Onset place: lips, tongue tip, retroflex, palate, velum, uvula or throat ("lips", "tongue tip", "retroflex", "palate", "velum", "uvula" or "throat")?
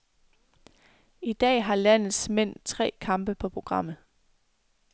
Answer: tongue tip